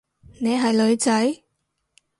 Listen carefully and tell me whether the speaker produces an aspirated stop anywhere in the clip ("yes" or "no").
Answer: no